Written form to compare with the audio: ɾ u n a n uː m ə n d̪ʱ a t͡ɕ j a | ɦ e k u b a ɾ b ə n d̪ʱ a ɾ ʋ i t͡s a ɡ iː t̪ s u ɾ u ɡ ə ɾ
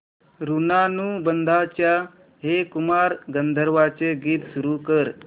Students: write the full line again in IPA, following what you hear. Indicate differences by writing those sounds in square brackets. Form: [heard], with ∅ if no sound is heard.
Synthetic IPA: ɾ u n a n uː [b] ə n d̪ʱ a t͡ɕ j a | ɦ e k u [m] a ɾ [ɡ] ə n d̪ʱ [ə] ɾ ʋ [a] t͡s [e] ɡ iː t̪ s u ɾ u [k] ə ɾ